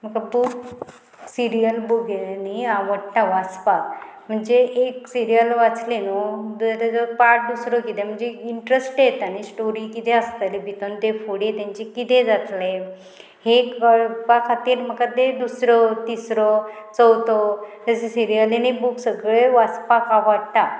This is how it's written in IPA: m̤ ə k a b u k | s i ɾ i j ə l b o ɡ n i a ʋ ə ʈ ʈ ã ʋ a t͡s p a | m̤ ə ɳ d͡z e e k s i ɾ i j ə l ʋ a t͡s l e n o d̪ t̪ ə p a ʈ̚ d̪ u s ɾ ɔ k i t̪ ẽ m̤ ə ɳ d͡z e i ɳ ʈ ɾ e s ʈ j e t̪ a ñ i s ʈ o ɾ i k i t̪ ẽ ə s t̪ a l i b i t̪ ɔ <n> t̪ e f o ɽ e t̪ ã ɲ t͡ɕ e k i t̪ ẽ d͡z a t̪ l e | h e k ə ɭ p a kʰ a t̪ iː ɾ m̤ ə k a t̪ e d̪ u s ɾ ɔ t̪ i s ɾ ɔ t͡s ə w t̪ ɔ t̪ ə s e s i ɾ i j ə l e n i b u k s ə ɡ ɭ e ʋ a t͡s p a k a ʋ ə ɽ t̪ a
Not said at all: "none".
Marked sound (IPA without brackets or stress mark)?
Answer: n